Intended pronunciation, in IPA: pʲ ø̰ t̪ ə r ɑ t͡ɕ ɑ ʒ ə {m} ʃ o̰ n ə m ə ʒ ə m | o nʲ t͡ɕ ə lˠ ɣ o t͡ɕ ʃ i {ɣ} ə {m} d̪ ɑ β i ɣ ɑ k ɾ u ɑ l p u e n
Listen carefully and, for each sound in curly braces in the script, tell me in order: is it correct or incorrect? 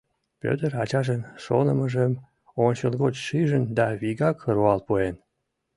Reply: incorrect: n, incorrect: ʒ, incorrect: n

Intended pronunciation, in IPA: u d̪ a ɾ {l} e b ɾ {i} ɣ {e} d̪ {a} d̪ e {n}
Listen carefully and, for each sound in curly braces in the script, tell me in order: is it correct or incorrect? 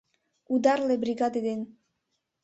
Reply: correct, correct, incorrect: a, incorrect: e, correct

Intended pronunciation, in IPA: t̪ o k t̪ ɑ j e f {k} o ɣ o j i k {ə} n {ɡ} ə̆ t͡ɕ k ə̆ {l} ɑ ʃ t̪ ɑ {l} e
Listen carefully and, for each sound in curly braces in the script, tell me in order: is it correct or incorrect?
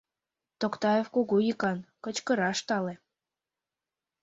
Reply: correct, incorrect: ɑ, incorrect: k, incorrect: ɾ, correct

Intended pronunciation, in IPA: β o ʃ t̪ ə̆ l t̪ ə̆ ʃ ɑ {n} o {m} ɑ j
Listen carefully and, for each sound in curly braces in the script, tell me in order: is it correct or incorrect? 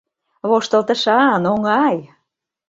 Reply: correct, incorrect: ŋ

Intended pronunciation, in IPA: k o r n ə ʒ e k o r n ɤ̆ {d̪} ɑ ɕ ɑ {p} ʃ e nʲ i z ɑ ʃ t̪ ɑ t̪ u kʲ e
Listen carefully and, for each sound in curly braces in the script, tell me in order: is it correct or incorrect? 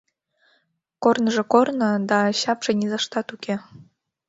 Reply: correct, correct

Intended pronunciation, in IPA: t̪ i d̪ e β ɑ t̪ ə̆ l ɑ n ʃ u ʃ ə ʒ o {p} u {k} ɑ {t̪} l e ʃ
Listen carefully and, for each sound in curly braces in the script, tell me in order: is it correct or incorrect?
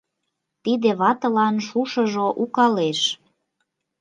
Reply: incorrect: ʔ, correct, incorrect: none

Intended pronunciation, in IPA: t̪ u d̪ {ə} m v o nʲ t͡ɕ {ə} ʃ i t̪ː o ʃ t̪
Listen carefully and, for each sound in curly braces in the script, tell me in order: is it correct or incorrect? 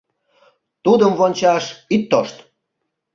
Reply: correct, incorrect: ɑ

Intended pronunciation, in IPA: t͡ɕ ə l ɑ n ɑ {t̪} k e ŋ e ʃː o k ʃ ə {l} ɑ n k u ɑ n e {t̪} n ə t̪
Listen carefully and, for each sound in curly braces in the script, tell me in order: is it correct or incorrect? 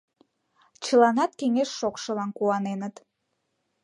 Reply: correct, correct, incorrect: none

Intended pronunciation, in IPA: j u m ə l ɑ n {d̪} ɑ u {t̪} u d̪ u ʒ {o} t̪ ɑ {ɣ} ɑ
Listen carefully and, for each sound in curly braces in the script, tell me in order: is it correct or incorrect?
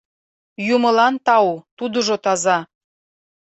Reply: incorrect: t̪, correct, correct, incorrect: z

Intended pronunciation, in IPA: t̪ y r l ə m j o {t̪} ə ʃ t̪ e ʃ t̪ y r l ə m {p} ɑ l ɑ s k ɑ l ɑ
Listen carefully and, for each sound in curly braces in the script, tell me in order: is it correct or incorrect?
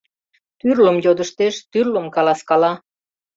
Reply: incorrect: d̪, incorrect: k

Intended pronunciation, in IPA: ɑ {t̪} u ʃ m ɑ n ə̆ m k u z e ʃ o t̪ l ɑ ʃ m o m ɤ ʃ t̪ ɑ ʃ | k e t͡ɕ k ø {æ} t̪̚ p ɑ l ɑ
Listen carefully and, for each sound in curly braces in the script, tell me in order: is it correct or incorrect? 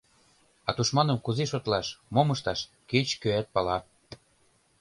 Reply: correct, correct

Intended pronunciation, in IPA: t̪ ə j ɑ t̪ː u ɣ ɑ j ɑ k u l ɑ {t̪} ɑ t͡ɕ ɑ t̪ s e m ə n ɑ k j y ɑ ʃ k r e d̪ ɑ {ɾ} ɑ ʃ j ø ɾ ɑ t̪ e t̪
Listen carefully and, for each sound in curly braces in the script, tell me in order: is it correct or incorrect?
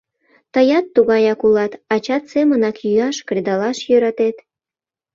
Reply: correct, incorrect: l

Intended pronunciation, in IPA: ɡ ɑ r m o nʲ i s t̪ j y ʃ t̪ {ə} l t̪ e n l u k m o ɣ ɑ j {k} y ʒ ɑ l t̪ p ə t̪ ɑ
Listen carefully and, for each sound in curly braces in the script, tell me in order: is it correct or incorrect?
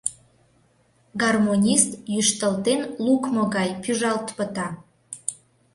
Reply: correct, incorrect: p

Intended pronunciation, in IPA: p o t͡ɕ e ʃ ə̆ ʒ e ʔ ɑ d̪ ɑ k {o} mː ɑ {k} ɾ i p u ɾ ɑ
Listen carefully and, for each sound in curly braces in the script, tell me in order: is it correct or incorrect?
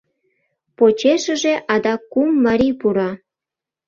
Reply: incorrect: u, incorrect: none

